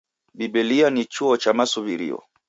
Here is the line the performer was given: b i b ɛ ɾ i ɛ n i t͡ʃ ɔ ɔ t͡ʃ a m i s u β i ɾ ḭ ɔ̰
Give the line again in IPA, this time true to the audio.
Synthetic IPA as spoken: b i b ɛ l i a n i t͡ʃ u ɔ t͡ʃ a m a s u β i ɾ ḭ ɔ̰